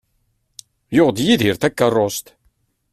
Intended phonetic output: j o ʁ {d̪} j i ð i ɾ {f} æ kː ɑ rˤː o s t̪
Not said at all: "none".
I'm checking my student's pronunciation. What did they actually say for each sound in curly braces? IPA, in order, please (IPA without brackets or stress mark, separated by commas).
d̪, θ